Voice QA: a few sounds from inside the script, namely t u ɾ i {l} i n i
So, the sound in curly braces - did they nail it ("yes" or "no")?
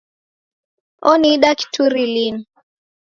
yes